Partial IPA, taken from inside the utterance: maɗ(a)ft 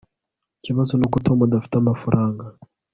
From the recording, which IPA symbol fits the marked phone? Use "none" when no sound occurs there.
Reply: a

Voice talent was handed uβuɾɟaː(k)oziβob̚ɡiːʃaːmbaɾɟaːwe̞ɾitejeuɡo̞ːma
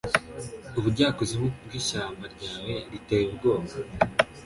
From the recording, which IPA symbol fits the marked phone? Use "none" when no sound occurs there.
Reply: k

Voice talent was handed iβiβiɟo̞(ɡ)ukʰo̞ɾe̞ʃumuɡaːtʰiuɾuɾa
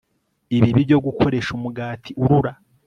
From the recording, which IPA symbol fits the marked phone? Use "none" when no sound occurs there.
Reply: ɡ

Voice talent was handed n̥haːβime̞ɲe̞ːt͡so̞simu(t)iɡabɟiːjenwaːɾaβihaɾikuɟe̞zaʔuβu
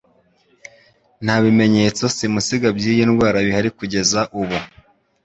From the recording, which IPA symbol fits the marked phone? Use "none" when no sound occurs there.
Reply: s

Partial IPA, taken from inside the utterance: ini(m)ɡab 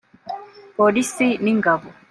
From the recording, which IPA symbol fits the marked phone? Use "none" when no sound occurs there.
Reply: ŋ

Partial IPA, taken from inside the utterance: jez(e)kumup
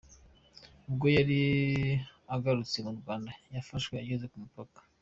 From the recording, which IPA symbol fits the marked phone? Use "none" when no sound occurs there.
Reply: e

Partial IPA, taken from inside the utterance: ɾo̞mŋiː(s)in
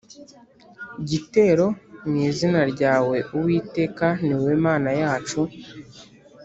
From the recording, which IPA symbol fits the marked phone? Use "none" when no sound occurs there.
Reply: z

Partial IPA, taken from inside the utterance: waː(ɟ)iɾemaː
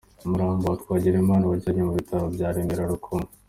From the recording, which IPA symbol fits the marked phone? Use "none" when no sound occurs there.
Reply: ɟ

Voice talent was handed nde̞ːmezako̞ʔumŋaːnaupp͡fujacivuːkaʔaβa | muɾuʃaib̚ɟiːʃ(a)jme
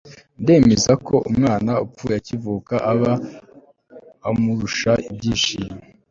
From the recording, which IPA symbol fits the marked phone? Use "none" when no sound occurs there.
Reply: i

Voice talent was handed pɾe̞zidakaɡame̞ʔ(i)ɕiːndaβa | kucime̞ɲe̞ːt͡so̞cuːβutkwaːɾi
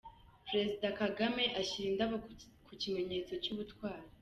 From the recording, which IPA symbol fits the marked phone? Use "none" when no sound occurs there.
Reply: a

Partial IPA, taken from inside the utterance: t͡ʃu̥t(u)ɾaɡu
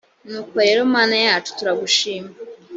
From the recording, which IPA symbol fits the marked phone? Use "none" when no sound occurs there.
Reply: u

